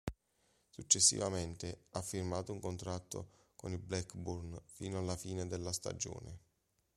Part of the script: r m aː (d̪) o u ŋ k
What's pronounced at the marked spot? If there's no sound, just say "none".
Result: t̪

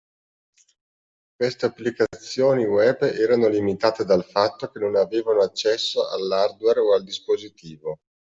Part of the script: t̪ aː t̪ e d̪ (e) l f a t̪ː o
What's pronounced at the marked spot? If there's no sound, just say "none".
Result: a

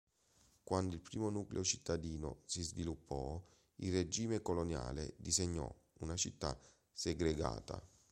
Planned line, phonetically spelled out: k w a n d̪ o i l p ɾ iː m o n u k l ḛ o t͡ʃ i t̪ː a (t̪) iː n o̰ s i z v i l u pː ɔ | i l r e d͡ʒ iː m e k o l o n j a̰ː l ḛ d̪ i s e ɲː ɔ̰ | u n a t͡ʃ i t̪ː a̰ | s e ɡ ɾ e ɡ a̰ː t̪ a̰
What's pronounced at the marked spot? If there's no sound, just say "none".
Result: d̪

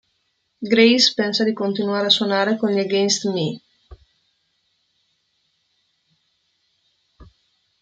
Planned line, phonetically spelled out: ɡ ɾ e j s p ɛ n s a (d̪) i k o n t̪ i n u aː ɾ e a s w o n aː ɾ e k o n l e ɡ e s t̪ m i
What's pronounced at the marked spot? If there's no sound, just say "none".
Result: d̪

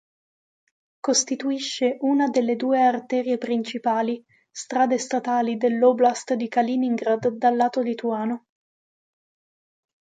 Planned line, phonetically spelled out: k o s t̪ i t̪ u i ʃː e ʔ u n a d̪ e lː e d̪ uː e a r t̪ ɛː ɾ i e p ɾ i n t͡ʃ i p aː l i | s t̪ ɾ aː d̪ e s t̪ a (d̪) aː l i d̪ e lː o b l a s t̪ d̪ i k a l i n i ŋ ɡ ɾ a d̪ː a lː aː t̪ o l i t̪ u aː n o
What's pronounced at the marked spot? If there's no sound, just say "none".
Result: t̪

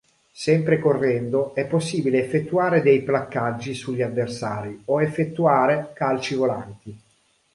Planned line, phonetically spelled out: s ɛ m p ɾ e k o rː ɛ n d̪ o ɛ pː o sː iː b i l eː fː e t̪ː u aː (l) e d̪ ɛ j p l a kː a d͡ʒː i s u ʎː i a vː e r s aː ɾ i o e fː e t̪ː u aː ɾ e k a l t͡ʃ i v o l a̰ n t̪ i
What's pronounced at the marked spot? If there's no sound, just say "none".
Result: ɾ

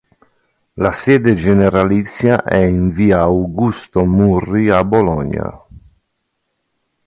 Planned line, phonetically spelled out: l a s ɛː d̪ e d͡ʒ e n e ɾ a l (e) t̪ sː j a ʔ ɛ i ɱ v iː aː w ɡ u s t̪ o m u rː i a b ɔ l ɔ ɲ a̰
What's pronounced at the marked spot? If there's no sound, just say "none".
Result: i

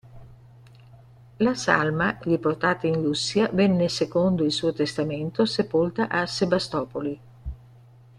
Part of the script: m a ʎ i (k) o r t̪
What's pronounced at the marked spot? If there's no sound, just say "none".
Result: p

